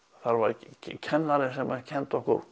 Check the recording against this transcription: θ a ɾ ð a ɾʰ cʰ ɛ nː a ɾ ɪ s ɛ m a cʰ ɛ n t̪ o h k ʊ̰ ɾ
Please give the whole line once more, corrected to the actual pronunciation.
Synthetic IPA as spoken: θ a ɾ v a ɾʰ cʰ ɛ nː a ɾ ɪ s ɛ m a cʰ ɛ n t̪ ɔ h k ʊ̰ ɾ